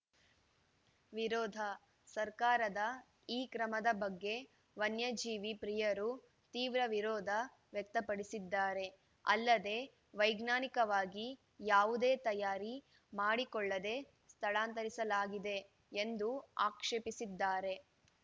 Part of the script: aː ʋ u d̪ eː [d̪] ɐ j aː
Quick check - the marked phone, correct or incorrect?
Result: incorrect